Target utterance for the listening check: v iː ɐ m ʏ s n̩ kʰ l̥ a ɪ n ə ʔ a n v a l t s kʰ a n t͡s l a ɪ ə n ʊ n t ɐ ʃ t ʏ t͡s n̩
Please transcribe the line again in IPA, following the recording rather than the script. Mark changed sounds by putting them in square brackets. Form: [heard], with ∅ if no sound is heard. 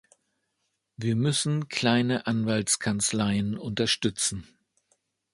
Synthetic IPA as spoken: v iː ɐ m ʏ s n̩ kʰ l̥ a ɪ n ə ʔ a n v a l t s kʰ a n t͡s l a ɪ ə n ʊ n t ɐ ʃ t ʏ t͡s n̩